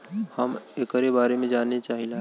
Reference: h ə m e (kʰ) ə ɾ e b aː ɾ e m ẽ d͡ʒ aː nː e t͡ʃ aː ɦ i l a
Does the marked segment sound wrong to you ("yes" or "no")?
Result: yes